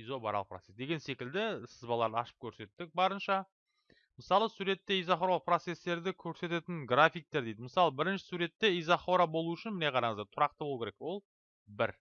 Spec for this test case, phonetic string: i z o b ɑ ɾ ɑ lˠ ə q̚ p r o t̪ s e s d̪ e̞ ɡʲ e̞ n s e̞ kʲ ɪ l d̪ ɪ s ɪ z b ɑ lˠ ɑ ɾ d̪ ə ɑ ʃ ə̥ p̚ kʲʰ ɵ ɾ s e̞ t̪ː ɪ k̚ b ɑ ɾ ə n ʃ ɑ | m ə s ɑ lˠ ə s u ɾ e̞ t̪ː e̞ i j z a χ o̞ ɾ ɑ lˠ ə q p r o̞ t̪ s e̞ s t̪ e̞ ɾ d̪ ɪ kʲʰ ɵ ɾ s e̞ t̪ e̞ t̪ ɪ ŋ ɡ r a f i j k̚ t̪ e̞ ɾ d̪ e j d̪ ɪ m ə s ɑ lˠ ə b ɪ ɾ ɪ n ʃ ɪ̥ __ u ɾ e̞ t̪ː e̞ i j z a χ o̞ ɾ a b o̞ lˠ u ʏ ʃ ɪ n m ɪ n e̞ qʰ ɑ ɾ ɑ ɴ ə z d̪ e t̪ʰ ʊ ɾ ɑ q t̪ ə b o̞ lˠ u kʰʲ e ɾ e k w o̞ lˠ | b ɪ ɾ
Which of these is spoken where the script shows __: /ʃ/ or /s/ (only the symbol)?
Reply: s